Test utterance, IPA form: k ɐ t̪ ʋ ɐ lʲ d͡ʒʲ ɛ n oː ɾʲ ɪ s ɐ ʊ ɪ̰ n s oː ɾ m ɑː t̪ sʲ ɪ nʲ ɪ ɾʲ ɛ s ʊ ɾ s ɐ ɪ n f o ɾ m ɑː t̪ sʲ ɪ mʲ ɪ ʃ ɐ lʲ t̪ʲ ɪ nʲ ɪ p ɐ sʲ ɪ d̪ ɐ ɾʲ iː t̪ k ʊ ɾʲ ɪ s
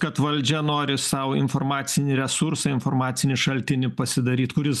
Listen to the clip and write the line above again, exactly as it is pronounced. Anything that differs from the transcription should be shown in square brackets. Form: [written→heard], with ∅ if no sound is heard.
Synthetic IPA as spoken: k ɐ t̪ ʋ ɐ lʲ d͡ʒʲ ɛ n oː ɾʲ ɪ s ɐ ʊ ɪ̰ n [s→f] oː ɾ m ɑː t̪ sʲ ɪ nʲ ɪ ɾʲ ɛ s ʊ ɾ s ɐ ɪ n f o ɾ m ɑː t̪ sʲ ɪ [mʲ→nʲ] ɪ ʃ ɐ lʲ t̪ʲ ɪ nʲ ɪ p ɐ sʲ ɪ d̪ ɐ ɾʲ iː t̪ k ʊ ɾʲ ɪ s